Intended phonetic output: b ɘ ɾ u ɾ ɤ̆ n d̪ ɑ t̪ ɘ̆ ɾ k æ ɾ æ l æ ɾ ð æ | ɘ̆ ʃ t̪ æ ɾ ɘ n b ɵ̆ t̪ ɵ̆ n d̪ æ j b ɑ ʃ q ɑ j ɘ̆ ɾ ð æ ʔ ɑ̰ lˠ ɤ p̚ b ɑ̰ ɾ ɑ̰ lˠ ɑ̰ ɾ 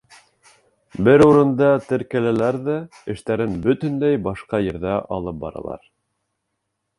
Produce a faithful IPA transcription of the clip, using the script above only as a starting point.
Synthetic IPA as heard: b ɘ ɾ u ɾ ɤ̆ n d̪ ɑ t̪ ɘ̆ ɾ k æ l æ l æ ɾ ð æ | ɘ̆ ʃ t̪ æ ɾ ɘ n b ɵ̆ t̪ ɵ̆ n d̪ æ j b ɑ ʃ q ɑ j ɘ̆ ɾ ð æ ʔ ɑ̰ lˠ ɤ p̚ b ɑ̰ ɾ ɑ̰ lˠ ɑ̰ ɾ